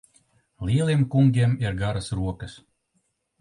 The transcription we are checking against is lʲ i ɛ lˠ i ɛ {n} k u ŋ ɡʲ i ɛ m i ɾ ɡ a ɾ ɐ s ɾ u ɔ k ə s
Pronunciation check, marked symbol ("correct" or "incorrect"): incorrect